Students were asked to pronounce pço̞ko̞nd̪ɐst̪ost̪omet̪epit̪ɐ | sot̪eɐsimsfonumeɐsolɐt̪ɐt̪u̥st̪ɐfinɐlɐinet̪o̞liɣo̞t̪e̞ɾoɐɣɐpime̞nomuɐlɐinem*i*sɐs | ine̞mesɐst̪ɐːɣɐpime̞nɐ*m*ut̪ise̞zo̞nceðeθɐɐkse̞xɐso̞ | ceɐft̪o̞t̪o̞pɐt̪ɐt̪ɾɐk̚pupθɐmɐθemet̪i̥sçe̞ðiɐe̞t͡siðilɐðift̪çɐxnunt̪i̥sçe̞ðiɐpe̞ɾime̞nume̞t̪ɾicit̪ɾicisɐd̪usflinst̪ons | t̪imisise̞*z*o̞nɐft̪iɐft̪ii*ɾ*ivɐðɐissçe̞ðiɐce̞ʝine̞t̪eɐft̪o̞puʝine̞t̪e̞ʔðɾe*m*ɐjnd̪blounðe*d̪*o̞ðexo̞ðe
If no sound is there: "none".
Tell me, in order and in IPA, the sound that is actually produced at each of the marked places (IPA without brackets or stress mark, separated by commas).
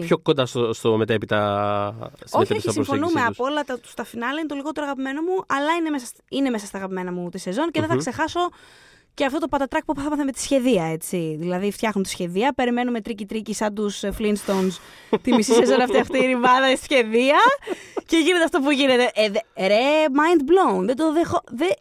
e, m, z, ɾ, m, d̪